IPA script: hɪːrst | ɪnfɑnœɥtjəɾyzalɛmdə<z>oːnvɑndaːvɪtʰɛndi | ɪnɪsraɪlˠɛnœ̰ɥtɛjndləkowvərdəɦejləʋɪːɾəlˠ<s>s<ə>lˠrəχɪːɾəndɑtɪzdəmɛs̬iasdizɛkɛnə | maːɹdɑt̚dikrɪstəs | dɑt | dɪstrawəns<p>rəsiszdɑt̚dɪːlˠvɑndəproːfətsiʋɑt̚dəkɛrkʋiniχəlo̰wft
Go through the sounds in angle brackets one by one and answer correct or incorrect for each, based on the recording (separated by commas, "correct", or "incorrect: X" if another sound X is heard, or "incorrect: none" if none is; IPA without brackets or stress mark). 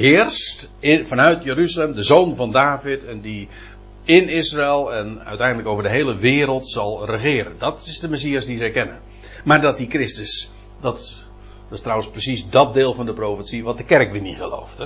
correct, incorrect: t, incorrect: ɑ, correct